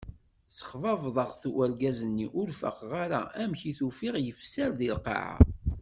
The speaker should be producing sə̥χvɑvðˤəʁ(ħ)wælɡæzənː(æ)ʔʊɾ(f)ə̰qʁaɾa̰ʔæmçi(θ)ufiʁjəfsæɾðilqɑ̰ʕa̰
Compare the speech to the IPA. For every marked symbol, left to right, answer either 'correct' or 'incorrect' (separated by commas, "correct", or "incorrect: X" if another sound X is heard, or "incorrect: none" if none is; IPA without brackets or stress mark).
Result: incorrect: θ, incorrect: i, correct, correct